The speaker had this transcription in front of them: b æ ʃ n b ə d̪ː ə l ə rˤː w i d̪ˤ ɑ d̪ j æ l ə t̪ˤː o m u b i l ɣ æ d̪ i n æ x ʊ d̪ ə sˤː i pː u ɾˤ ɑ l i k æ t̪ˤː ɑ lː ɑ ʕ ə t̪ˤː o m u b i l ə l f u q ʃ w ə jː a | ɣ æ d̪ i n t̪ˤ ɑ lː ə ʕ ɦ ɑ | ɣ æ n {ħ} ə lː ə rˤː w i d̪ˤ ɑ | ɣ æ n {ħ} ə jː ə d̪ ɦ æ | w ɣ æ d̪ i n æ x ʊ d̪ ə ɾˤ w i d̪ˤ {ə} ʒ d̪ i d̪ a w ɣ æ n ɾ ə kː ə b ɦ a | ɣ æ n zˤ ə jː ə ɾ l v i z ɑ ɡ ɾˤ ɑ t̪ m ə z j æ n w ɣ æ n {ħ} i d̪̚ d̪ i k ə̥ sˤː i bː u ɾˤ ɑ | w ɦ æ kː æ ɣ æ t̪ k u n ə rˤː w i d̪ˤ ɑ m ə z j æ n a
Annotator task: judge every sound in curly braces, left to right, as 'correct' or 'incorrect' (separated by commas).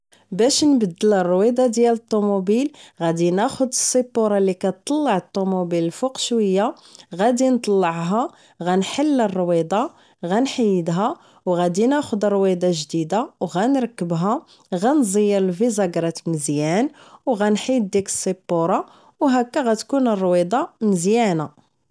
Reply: correct, correct, incorrect, correct